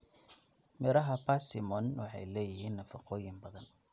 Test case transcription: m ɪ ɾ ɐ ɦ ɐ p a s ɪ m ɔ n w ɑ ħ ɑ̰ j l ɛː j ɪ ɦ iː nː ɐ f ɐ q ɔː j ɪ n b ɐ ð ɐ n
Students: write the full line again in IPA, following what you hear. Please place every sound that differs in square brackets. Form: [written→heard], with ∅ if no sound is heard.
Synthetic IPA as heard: m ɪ ɾ ɐ ɦ ɐ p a s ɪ m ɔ n w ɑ ħ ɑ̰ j l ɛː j ɪ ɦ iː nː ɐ f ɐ q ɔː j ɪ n b ɐ ð ɐ n